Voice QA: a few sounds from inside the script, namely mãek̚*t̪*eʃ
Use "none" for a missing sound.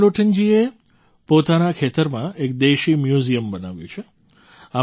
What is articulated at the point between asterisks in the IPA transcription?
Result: d̪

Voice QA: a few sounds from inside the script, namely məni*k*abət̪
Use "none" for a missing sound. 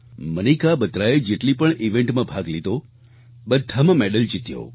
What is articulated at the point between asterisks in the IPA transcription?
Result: k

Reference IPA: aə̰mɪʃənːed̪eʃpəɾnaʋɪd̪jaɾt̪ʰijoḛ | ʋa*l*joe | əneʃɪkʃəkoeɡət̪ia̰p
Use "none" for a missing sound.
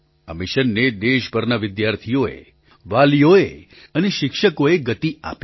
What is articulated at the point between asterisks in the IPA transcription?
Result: l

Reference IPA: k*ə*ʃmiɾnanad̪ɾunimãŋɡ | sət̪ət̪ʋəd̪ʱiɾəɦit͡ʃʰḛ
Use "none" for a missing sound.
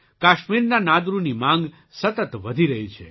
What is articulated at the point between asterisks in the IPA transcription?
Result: a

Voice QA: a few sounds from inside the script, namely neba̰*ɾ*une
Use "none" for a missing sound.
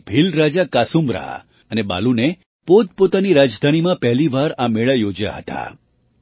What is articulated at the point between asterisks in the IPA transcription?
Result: l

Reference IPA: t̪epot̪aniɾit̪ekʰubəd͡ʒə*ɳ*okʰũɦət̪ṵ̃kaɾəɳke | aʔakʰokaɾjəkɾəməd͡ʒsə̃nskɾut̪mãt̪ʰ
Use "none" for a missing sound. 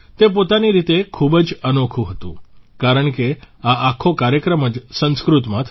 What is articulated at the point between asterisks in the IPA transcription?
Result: n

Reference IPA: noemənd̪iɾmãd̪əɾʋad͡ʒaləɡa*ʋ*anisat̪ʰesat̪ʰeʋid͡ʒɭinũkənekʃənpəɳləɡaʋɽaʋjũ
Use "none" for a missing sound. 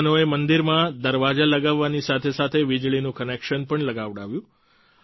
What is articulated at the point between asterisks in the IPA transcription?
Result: ʋː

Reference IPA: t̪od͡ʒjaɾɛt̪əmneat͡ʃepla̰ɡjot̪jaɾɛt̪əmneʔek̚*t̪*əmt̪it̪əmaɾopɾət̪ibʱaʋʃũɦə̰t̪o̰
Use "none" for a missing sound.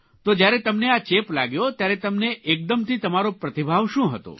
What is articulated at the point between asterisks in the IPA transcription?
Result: d̪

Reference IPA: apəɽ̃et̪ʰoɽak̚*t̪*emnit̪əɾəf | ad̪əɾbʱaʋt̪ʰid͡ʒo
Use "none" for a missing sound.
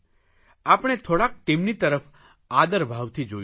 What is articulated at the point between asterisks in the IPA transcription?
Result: t̪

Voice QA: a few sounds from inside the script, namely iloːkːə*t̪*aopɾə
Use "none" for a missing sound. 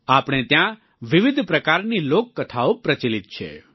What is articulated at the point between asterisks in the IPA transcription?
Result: t̪ʰ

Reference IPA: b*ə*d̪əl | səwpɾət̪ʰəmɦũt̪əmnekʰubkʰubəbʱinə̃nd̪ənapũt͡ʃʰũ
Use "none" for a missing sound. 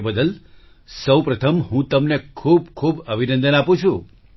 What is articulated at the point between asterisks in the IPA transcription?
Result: ə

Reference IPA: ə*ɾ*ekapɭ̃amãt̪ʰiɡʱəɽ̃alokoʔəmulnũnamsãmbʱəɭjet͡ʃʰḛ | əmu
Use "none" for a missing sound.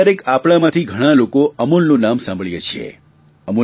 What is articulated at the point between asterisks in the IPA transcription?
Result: ɾ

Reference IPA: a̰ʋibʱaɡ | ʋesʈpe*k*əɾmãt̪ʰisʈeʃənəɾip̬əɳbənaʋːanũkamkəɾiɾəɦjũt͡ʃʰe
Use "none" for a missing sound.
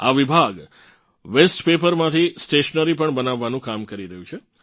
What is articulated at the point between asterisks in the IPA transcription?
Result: p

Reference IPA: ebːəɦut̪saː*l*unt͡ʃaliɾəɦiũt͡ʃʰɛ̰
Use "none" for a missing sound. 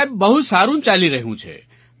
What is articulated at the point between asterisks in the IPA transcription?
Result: ɾ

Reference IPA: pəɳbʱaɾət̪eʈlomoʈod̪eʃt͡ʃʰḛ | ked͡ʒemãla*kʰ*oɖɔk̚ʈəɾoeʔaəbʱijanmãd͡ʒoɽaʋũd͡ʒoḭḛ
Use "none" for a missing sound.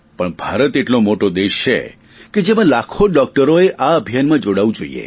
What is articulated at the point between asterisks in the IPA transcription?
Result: kʰ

